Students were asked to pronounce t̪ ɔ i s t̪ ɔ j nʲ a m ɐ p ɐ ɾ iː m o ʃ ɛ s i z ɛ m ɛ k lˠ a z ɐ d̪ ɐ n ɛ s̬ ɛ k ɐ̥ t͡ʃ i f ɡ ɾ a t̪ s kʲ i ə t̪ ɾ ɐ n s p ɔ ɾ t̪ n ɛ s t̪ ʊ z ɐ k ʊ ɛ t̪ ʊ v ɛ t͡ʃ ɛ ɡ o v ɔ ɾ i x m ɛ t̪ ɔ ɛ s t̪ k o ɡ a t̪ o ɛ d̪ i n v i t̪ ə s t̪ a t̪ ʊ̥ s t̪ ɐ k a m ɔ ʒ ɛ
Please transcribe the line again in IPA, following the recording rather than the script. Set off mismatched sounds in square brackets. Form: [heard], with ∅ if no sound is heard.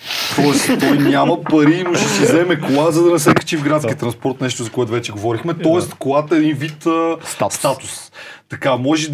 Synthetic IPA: t̪ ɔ [ɛ] s t̪ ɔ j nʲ a m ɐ p ɐ ɾ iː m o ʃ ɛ s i z ɛ m ɛ k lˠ a z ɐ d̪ ɐ n ɛ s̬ ɛ k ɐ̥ t͡ʃ i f ɡ ɾ a t̪ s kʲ i ə t̪ ɾ ɐ n s p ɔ ɾ t̪ n ɛ [ʃ] t̪ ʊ z ɐ k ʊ ɛ t̪ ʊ v ɛ t͡ʃ ɛ ɡ o v ɔ ɾ i x m ɛ t̪ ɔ ɛ s t̪ k o ɡ a t̪ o ɛ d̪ i n v i t̪ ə s t̪ a t̪ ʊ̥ s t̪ ɐ k a m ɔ ʒ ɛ